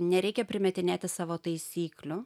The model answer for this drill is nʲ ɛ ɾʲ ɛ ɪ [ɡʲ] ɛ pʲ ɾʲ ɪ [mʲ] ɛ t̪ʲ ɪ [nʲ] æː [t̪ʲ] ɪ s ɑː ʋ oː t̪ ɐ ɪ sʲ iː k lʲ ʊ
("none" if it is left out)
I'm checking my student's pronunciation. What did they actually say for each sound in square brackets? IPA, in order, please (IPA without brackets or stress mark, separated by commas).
kʲ, mʲ, nʲ, t̪ʲ